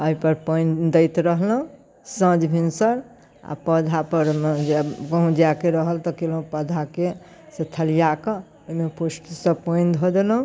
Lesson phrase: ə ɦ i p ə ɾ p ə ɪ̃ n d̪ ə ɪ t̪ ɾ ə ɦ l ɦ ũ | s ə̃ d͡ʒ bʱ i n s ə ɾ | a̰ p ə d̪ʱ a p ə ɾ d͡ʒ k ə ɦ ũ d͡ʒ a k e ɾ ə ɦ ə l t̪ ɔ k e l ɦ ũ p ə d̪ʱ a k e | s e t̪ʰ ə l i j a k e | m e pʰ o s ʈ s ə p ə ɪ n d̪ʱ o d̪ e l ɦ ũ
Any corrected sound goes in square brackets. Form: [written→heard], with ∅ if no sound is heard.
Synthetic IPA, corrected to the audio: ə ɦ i p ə ɾ p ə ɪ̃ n d̪ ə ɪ t̪ ɾ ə ɦ l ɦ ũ | s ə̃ d͡ʒ bʱ i n s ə ɾ | a̰ p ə d̪ʱ a p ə ɾ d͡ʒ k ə ɦ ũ d͡ʒ a k e ɾ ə ɦ ə l t̪ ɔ k e l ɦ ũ p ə d̪ʱ a k e | s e t̪ʰ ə l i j a k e | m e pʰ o s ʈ s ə p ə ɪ n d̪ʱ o d̪ e l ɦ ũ